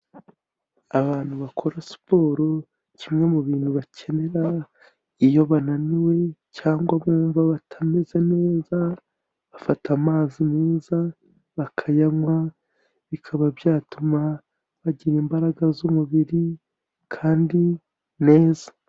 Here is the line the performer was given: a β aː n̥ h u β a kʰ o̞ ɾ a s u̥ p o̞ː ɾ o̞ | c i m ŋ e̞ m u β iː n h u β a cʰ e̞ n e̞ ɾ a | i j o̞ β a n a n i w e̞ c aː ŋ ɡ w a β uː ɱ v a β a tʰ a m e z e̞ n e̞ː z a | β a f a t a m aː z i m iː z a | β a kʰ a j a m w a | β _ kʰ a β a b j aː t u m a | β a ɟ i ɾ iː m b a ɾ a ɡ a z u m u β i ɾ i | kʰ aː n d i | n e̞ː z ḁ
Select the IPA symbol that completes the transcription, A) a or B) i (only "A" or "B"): B